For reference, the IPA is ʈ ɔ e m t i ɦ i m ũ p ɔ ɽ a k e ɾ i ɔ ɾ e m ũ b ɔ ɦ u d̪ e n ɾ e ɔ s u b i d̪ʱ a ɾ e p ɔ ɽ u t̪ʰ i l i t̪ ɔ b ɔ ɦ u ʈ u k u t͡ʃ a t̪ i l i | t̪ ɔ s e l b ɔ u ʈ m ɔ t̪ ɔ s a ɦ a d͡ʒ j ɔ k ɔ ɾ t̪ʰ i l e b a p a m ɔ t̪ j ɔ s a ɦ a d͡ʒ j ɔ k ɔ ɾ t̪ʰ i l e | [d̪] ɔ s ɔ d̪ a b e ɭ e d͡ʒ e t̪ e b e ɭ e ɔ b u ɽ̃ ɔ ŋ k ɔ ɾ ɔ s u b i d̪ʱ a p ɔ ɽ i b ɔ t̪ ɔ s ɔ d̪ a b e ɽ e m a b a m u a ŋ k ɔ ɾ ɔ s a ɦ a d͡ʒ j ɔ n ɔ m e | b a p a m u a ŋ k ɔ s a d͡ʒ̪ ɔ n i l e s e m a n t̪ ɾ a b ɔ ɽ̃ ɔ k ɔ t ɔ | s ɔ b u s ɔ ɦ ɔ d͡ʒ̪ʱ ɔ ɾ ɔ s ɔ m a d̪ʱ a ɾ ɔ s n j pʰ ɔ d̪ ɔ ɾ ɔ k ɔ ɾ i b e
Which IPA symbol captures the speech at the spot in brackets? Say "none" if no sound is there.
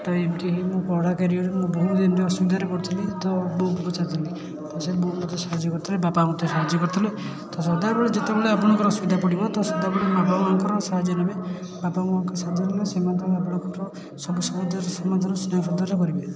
t̪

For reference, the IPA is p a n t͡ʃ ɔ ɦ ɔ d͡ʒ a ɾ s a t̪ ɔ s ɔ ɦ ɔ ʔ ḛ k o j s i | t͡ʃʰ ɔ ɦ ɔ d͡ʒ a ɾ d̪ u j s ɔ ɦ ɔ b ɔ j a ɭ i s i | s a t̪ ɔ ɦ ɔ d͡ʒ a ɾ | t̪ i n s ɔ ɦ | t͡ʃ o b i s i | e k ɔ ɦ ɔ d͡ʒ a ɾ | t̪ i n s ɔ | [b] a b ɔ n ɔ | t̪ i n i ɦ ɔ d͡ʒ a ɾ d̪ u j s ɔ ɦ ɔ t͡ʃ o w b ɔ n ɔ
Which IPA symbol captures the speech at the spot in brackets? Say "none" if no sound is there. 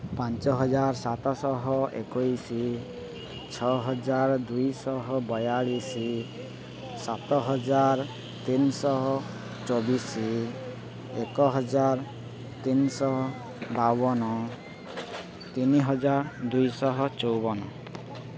b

